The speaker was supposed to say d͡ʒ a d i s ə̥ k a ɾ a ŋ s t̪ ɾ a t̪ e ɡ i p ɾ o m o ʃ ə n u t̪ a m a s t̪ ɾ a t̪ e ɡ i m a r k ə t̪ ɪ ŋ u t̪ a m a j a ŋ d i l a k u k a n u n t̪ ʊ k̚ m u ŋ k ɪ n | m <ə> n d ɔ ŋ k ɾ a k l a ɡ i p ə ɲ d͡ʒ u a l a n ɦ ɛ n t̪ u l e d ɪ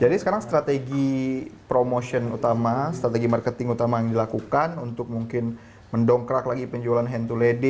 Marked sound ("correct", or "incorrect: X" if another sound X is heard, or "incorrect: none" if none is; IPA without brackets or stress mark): correct